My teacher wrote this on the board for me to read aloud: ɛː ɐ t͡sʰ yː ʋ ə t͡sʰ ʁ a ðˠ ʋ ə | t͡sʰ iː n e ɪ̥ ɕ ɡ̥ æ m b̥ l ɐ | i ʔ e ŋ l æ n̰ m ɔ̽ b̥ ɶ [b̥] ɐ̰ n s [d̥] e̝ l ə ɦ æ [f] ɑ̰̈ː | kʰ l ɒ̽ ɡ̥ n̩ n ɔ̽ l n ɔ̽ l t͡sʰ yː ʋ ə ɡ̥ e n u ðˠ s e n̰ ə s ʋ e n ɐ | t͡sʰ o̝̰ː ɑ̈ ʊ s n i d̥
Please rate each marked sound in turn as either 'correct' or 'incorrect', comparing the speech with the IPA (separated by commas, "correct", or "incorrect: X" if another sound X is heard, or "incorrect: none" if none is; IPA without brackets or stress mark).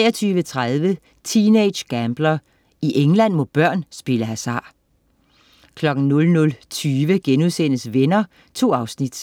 incorrect: none, incorrect: b̥, incorrect: s